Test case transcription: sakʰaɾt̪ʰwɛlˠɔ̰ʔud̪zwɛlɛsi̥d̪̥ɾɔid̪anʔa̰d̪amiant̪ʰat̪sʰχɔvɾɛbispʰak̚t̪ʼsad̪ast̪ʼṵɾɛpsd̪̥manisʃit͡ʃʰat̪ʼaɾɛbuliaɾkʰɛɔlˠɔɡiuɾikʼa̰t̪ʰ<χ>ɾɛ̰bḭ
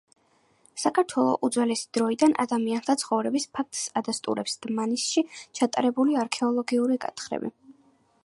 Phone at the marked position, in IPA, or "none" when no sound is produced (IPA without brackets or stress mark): χ